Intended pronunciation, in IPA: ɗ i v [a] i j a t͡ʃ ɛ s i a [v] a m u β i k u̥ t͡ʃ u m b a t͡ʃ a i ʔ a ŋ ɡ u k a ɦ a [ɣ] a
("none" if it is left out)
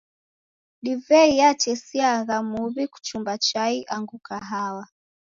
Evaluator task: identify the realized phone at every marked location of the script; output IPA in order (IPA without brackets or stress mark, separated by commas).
ɛ, ɣ, w